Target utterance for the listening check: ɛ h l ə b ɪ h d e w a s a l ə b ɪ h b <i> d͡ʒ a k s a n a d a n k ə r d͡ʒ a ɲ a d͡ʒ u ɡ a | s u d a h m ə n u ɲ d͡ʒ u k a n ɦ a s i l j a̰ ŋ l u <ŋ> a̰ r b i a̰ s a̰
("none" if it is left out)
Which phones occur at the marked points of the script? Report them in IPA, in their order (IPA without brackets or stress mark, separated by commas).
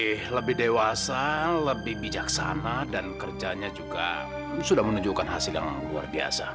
i, none